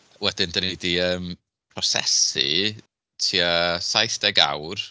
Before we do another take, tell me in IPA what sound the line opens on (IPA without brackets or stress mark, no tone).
w